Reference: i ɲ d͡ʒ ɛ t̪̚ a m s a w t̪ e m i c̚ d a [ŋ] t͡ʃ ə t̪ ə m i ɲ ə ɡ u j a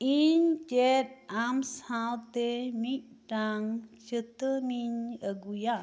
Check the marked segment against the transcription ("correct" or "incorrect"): correct